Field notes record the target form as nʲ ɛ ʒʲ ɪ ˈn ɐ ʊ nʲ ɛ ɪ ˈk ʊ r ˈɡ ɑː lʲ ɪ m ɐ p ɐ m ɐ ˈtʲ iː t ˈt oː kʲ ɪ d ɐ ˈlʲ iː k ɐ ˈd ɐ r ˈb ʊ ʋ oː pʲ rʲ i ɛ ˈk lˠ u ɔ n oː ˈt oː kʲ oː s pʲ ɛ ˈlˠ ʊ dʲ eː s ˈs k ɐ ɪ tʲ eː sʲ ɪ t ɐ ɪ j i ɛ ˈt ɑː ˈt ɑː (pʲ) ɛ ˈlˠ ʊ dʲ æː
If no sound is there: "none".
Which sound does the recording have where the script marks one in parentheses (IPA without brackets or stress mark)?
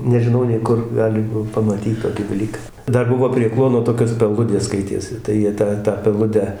pʲ